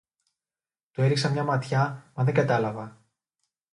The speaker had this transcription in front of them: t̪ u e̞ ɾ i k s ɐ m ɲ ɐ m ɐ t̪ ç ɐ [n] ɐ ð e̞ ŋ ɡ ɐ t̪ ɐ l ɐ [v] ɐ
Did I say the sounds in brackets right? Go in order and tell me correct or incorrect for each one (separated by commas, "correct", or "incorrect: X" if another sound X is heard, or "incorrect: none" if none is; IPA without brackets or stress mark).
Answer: incorrect: m, correct